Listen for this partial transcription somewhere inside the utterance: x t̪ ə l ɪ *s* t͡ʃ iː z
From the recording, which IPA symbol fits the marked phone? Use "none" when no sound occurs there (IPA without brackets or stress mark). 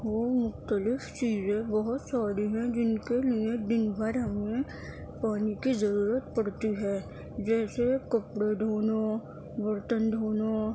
f